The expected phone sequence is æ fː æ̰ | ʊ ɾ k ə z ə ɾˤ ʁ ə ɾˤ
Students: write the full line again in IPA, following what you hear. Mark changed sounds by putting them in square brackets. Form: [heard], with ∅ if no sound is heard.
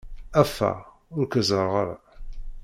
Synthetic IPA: æ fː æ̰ | ʊ ɾ k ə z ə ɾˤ ʁ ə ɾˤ